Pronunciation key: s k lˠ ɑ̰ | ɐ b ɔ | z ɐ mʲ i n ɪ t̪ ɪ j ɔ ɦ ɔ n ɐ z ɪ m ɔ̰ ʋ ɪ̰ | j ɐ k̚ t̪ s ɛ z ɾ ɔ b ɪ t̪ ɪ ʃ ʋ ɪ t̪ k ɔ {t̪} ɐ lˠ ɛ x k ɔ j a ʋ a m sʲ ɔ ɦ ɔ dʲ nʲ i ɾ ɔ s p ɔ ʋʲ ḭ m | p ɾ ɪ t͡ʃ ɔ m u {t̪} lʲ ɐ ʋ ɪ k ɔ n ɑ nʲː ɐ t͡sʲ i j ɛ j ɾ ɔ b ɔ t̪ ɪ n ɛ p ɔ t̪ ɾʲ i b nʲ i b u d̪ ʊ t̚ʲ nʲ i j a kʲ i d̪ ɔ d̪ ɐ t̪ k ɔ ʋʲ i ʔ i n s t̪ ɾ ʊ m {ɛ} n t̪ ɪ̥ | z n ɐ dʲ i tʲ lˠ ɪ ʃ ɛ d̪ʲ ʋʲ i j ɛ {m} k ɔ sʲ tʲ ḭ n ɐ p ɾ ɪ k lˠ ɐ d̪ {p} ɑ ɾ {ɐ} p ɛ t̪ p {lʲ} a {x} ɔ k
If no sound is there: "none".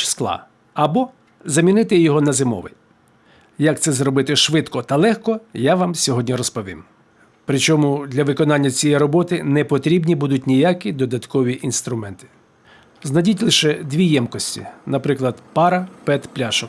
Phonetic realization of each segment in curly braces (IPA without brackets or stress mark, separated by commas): t̪, d̪, ɛ, m, p, ɐ, lʲ, ʃ